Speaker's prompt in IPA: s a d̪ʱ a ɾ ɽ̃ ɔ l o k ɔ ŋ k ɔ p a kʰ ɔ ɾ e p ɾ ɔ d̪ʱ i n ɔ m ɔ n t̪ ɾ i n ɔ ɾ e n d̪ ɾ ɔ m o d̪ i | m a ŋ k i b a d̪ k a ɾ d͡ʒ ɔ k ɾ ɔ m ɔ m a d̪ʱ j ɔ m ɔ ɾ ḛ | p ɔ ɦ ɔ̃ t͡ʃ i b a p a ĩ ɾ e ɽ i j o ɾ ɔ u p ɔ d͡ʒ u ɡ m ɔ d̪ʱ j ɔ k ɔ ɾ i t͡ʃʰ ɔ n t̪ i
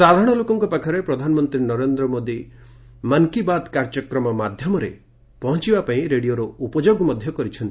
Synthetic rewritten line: s a d̪ʱ a ɾ ɽ̃ ɔ l o k ɔ ŋ k ɔ p a kʰ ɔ ɾ e p ɾ ɔ d̪ʱ a n ɔ m ɔ n t̪ ɾ i n ɔ ɾ e n d̪ ɾ ɔ m o d̪ i | m a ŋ k i b a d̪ k a ɾ d͡ʒ ɔ k ɾ ɔ m ɔ m a d̪ʱ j ɔ m ɔ ɾ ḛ | p ɔ ɦ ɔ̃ t͡ʃ i b a p a ĩ ɾ e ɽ i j o ɾ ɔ u p ɔ d͡ʒ o ɡ m ɔ d̪ʱ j ɔ k ɔ ɾ i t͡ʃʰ ɔ n t̪ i

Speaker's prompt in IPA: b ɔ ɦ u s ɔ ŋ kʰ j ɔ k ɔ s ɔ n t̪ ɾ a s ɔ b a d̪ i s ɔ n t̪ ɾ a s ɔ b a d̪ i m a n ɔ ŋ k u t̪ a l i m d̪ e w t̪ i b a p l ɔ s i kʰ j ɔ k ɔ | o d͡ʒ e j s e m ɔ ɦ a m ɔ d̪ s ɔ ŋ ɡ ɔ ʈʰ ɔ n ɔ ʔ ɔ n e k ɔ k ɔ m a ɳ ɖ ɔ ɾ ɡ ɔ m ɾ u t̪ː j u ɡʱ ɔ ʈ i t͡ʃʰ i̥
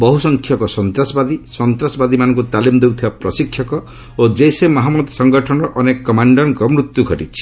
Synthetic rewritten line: b ɔ ɦ u s ɔ ŋ kʰ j ɔ k ɔ s ɔ n t̪ ɾ a s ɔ b a d̪ i s ɔ n t̪ ɾ a s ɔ b a d̪ i m a n ɔ ŋ k u t̪ a l i m d̪ e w t̪ʰ i b a p ɾ ɔ s i kʰ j ɔ k ɔ | o d͡ʒ e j s e m ɔ ɦ a m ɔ d̪ s ɔ ŋ ɡ ɔ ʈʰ ɔ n ɔ ʔ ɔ n e k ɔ k ɔ m a ɳ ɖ ɔ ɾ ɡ ɔ m ɾ u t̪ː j u ɡʱ ɔ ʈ i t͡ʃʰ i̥

